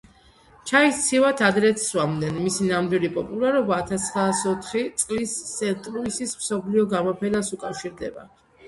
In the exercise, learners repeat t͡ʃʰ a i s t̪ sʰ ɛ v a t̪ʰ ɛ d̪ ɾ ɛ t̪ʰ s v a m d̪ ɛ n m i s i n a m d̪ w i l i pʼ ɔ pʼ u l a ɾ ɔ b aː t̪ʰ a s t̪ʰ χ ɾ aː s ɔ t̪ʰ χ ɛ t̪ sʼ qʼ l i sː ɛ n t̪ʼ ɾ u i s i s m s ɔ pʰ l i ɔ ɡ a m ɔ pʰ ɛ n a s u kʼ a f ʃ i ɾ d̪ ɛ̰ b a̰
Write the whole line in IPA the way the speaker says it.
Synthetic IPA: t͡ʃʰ a i s t̪ sʰ i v a t̪ʰ a d̪ ɾ ɛ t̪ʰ s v a m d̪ ɛ n m i s i n a m d̪ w i l i pʼ ɔ pʼ u l a ɾ ɔ b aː t̪ʰ a s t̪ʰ χ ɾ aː s ɔ t̪ʰ χ i t̪ sʼ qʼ l i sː ɛ n t̪ʼ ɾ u i s i s m s ɔ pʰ l i ɔ ɡ a m ɔ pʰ ɛ n a s u kʼ a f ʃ i ɾ d̪ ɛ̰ b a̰